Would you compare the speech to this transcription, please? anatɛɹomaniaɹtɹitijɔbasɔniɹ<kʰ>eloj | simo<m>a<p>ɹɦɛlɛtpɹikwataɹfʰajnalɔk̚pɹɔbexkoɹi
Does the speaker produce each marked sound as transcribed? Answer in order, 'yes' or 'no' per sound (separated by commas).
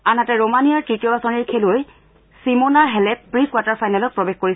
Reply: yes, no, no